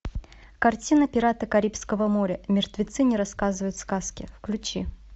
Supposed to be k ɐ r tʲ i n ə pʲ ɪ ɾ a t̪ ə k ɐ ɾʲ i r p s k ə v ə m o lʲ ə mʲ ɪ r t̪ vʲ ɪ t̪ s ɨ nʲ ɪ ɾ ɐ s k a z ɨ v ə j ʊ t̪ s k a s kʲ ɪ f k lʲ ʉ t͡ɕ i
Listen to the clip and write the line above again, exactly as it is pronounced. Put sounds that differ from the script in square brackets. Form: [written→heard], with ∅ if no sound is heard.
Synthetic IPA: k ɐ r tʲ i n ə pʲ ɪ ɾ a t̪ ə k ɐ ɾʲ i [r→∅] p s k ə v ə m o [lʲ→ɾʲ] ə mʲ ɪ r t̪ vʲ ɪ t̪ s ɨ nʲ ɪ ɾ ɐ s k a z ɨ v ə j ʊ t̪ s k a s kʲ ɪ f k lʲ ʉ t͡ɕ i